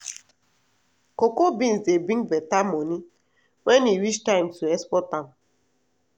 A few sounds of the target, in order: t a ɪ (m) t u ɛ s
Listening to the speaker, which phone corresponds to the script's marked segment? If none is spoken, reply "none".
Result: m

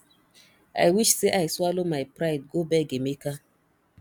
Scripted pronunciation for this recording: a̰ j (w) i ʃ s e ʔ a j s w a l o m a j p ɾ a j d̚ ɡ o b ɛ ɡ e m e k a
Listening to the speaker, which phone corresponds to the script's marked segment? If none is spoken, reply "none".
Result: w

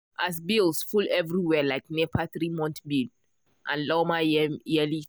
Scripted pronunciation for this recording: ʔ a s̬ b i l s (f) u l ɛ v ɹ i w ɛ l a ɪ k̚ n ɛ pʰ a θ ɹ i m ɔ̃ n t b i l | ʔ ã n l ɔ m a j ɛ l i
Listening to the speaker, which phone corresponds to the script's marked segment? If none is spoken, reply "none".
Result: f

